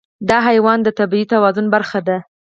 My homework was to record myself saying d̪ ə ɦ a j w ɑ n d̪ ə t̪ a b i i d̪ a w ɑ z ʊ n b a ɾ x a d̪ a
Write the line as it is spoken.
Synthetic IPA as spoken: d̪ ɑ ɦ a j w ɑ n d̪ ə t̪ a b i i t̪ a w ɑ z ʊ n b a ɾ x a d̪ a